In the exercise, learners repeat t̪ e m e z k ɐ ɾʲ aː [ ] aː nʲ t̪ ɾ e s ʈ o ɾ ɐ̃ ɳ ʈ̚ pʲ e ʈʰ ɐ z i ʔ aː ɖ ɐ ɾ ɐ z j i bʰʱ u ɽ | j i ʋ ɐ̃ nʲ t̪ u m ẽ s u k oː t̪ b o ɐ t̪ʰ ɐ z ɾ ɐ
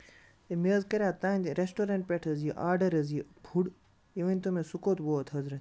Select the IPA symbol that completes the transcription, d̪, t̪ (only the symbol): t̪